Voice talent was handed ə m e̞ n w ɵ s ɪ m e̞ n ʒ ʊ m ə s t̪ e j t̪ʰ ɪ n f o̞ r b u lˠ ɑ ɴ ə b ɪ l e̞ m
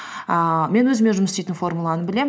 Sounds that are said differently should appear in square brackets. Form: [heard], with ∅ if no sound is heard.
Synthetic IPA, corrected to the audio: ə m e̞ n w ɵ [z] ɪ m e̞ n ʒ ʊ m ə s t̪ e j [t̪] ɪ n f o̞ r [m] u lˠ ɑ [n] ə b ɪ l e̞ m